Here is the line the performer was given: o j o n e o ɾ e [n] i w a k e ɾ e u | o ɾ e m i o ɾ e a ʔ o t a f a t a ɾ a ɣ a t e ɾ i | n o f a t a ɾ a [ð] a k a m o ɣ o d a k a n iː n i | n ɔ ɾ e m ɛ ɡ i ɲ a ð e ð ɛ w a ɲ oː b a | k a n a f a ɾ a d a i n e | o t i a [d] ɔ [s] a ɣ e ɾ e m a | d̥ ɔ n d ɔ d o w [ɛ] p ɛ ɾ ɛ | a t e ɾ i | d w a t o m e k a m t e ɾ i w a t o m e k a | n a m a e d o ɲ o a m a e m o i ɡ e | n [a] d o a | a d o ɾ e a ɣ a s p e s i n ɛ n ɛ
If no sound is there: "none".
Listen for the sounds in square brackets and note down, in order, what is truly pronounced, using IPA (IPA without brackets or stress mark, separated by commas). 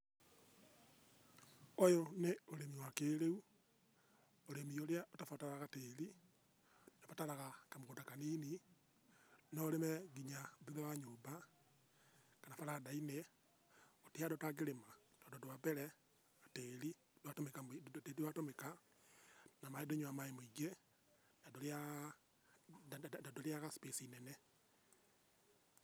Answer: m, ɣ, d, t, a, a